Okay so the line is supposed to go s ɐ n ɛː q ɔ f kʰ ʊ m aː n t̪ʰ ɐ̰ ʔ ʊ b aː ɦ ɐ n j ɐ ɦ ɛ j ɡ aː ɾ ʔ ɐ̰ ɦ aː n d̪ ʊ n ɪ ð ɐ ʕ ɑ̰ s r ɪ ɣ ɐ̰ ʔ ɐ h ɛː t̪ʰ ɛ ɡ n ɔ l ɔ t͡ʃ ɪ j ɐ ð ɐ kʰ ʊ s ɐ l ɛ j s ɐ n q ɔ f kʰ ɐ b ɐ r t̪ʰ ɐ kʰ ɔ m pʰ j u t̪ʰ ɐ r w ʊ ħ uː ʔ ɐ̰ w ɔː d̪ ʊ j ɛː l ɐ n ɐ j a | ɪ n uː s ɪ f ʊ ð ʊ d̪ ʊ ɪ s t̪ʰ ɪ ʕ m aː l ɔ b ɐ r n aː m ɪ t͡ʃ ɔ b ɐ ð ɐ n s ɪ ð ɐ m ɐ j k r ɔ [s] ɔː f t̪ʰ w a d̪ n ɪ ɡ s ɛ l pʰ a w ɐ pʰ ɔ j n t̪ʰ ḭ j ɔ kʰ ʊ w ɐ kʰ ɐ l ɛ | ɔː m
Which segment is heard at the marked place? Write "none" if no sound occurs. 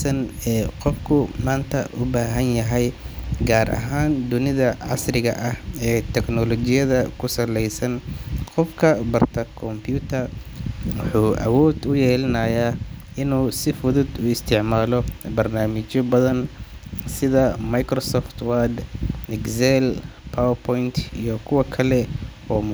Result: s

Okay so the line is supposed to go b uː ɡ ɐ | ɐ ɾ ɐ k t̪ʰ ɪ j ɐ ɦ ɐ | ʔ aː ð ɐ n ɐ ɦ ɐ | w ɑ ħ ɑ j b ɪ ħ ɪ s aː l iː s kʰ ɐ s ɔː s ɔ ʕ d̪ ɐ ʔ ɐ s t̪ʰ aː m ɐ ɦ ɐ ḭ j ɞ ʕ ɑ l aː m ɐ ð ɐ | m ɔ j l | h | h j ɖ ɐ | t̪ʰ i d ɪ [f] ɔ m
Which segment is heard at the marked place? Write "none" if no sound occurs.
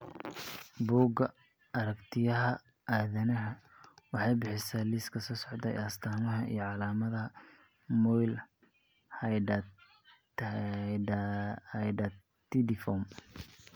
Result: f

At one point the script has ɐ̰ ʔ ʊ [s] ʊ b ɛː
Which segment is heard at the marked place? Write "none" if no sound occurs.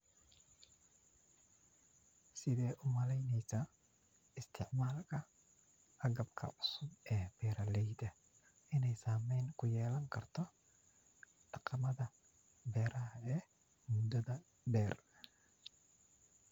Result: s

